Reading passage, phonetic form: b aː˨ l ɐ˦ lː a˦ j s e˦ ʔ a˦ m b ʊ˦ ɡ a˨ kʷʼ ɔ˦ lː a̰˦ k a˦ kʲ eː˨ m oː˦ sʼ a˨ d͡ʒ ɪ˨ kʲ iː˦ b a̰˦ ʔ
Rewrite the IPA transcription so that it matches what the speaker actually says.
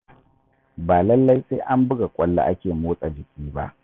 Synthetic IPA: b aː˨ l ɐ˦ lː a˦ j s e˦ ʔ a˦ m b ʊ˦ ɡ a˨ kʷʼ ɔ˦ lː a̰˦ ʔ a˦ kʲ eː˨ m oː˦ sʼ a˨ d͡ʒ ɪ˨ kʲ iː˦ b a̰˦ ʔ